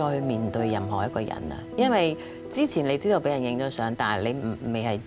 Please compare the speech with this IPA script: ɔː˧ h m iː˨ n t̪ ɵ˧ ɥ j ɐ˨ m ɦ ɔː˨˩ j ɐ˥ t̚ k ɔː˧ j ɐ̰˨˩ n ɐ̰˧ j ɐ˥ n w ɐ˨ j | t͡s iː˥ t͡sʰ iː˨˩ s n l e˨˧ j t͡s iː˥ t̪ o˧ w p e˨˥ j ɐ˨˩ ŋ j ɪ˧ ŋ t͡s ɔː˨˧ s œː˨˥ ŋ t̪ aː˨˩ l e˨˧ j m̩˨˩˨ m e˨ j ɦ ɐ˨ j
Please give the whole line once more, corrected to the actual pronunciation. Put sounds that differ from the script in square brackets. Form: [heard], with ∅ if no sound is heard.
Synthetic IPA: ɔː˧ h m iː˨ n t̪ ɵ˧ ɥ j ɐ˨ m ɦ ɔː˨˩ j ɐ˥ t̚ k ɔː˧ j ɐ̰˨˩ n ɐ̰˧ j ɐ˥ n w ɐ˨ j | t͡s iː˥ t͡sʰ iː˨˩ [∅] n l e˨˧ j t͡s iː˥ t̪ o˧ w p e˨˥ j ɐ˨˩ [n] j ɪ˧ ŋ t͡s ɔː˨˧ s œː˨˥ ŋ t̪ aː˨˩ l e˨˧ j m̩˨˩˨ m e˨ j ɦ ɐ˨ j